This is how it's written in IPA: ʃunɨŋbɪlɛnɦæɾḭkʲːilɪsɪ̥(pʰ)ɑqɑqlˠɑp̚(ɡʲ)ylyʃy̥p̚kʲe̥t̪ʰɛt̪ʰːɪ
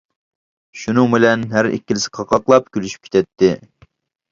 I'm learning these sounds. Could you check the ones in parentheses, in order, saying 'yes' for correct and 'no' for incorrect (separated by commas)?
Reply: no, no